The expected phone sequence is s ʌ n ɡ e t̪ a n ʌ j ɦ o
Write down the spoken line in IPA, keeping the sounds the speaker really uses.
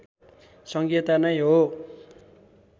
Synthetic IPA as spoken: s ʌ ŋ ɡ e t̪ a n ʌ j ɦ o